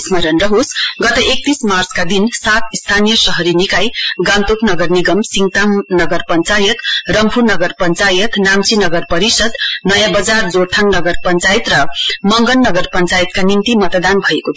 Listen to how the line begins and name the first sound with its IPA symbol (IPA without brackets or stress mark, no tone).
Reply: s